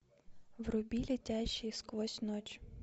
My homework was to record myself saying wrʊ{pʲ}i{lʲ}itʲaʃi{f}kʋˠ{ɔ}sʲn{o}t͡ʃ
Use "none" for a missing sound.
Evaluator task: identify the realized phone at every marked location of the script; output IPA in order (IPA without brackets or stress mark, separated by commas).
bʲ, lʲ, s, ɔ, ɔ